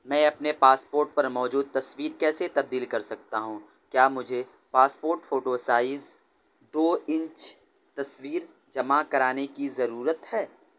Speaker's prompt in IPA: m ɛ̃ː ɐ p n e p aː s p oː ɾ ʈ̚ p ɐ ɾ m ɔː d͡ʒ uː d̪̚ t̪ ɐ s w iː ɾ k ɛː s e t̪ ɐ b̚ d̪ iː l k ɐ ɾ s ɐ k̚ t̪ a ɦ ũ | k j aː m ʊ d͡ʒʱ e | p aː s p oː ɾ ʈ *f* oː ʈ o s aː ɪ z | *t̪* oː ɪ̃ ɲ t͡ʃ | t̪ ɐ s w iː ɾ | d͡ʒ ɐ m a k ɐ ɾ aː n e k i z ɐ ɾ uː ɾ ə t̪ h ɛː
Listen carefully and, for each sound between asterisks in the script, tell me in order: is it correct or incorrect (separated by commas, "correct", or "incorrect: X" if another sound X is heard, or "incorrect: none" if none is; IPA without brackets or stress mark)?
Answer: correct, incorrect: d̪